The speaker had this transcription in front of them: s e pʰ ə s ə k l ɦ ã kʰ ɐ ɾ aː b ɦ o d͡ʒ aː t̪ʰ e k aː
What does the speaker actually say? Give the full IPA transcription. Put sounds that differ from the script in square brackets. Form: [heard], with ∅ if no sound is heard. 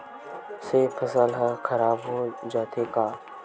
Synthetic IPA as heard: s e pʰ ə s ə [∅] l ɦ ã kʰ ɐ ɾ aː b ɦ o d͡ʒ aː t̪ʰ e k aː